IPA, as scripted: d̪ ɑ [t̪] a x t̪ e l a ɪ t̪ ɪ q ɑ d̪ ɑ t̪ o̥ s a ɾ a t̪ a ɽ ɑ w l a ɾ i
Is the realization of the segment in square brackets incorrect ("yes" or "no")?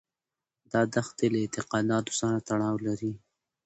yes